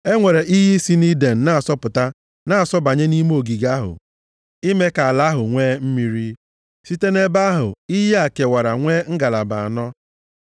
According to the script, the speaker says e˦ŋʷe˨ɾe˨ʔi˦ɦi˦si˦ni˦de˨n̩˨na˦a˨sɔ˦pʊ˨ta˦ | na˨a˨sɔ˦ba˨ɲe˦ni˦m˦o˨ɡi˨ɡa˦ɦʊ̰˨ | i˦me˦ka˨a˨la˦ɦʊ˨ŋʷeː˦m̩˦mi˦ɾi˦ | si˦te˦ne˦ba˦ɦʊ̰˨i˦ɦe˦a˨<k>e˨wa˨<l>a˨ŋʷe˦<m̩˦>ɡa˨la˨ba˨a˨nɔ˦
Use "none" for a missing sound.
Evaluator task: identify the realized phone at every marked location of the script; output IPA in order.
k, ɾ, ŋ̩˦

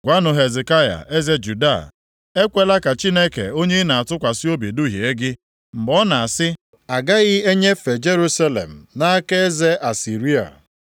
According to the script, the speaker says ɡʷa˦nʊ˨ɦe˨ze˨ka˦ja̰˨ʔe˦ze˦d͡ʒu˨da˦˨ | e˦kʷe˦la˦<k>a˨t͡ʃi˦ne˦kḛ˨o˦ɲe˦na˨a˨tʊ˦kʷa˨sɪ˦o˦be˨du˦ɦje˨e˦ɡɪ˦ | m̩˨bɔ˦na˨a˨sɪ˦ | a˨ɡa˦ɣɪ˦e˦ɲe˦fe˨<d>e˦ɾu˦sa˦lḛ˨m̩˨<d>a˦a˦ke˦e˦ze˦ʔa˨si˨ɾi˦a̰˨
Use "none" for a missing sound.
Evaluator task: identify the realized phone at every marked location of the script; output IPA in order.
k, d͡ʒ, n

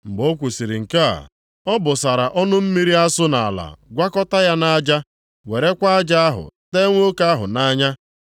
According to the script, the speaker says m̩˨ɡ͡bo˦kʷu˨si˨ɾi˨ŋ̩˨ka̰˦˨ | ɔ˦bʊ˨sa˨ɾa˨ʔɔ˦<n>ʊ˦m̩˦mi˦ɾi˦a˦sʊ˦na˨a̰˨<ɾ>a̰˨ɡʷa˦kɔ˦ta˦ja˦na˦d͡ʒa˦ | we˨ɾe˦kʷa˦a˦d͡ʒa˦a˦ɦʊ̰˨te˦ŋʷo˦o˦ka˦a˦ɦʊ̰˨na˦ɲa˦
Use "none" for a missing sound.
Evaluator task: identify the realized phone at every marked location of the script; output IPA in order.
n, l

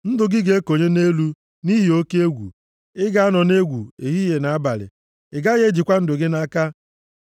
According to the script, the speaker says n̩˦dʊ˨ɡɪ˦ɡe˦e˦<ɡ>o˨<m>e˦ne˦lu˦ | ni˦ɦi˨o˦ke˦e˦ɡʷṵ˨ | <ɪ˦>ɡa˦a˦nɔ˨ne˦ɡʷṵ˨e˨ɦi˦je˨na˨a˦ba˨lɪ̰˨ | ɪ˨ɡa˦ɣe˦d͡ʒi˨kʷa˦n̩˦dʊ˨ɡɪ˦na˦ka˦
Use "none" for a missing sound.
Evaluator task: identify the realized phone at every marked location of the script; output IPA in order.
k, ɲ, ɪ˦

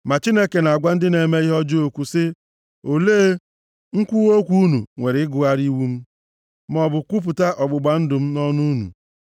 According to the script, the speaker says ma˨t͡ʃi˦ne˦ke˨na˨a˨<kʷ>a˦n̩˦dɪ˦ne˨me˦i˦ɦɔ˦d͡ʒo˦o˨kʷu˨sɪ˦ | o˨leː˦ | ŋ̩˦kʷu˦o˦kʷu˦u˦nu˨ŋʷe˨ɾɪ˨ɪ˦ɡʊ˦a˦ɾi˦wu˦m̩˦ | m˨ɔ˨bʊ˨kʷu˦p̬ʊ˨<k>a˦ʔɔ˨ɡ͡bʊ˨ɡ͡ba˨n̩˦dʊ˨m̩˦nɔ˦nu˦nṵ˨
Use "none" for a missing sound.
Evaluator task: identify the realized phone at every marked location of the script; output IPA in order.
ɡʷ, t

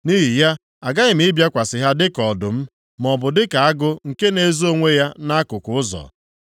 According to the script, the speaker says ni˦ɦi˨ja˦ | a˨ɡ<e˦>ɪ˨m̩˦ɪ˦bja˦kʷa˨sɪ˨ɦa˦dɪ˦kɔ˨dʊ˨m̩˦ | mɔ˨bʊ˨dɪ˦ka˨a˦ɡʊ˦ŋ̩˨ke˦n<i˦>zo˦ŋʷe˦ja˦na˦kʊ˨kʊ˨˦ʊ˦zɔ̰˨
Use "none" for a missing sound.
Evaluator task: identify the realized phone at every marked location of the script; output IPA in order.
a˦, e˦

